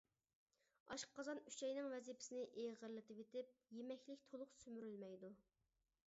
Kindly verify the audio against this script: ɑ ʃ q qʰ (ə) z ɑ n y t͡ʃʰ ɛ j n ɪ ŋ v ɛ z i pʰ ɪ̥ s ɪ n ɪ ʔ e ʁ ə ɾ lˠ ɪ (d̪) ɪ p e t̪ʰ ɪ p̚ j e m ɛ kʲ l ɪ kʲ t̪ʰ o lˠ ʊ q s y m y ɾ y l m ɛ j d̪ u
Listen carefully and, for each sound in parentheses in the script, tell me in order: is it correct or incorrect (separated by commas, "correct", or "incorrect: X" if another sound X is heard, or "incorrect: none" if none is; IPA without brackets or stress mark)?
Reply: incorrect: ɑ, incorrect: t̪